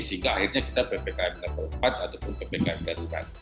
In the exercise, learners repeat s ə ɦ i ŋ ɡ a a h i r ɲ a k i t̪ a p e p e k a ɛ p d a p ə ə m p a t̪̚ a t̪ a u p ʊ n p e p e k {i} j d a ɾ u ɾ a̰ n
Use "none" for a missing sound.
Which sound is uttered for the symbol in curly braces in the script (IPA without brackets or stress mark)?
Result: a